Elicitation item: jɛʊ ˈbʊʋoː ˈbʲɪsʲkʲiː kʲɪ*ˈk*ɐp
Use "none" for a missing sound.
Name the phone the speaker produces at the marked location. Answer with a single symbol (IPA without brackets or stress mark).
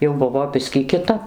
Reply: t